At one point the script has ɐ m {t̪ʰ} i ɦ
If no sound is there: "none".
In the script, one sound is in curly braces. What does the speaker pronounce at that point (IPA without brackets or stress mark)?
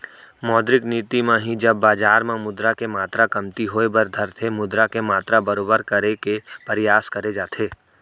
t̪